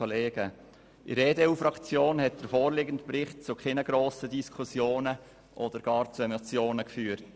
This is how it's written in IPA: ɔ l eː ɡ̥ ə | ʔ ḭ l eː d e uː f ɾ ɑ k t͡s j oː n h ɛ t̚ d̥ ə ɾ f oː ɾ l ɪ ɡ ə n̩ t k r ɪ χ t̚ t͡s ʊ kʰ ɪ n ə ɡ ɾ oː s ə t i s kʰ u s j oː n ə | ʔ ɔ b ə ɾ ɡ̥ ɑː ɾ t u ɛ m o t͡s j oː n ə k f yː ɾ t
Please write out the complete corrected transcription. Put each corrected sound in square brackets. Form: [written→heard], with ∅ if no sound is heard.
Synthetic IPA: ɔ l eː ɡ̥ ə | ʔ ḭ [l→ɾ] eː d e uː f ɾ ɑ k t͡s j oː n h ɛ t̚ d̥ ə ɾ f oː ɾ l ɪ ɡ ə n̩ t [k→p] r ɪ χ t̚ t͡s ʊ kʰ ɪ n ə ɡ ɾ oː s ə [t→d] i s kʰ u s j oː n ə | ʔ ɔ [b→d] ə ɾ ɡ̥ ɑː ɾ [t→t͡s] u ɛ m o t͡s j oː n ə k f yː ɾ t